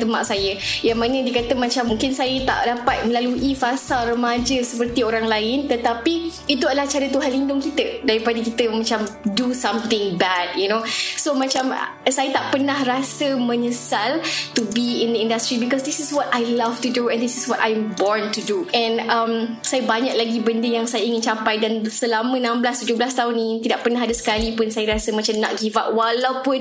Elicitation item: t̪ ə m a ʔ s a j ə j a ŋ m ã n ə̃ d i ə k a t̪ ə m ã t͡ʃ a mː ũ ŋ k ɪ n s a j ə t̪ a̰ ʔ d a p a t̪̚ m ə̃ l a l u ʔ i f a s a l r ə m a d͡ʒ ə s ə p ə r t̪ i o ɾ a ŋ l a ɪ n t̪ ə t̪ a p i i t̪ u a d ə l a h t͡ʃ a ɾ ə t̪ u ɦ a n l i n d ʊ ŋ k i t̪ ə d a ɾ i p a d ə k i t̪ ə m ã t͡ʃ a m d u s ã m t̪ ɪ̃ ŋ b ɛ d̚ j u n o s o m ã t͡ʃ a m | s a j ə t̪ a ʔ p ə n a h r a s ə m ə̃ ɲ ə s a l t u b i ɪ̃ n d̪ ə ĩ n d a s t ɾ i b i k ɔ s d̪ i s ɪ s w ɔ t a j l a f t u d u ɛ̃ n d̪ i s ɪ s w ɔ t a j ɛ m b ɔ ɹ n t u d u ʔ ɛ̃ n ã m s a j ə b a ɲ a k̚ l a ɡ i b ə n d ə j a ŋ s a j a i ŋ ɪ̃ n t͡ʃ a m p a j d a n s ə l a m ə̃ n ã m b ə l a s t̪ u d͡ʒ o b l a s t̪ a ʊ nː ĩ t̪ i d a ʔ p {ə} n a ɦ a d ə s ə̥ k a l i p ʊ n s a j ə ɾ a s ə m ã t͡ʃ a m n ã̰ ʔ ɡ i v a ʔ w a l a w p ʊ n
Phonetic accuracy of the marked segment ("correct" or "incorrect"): correct